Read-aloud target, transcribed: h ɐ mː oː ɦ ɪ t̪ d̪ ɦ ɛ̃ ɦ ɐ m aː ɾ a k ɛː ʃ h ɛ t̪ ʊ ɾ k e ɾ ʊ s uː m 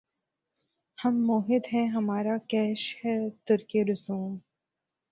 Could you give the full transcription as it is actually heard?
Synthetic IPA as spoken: h ɐ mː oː ɦ ɪ d̪ ɦ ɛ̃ ɦ ɐ m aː ɾ a k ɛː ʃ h ɛ t̪ ʊ ɾ k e ɾ ʊ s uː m